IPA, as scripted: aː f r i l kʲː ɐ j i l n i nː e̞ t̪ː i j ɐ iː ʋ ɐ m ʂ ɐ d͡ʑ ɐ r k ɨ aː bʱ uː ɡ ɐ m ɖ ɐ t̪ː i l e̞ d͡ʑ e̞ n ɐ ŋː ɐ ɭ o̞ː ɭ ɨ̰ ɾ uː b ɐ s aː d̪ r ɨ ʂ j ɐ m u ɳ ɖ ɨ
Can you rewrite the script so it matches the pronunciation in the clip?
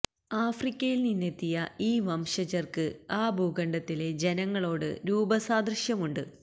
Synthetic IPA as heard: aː f r i kʲː ɐ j i l n i nː e̞ t̪ː i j ɐ iː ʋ ɐ m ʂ ɐ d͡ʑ ɐ r k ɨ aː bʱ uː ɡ ɐ ɳ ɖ ɐ t̪ː i l e̞ d͡ʑ e̞ n ɐ ŋː ɐ ɭ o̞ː ɽ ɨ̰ ɾ uː b ɐ s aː d̪ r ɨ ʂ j ɐ m u ɳ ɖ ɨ